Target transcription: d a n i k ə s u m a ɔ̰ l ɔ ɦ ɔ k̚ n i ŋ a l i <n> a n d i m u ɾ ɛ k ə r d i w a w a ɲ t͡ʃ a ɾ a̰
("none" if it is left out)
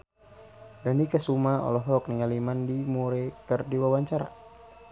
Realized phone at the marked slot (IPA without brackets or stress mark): m